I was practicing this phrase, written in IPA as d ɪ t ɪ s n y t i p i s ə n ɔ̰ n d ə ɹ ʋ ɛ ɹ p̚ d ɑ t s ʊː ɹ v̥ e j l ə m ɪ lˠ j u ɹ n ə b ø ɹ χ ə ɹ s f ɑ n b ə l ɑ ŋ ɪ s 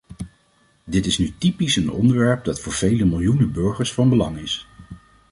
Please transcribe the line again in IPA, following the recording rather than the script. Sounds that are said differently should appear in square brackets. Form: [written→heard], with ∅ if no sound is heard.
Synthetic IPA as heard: d ɪ t ɪ s n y t i p i s ə n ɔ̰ n d ə ɹ ʋ ɛ ɹ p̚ d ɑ t [s→f] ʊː ɹ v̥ e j l ə m ɪ lˠ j u [ɹ→∅] n ə b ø ɹ χ ə ɹ s f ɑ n b ə l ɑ ŋ ɪ s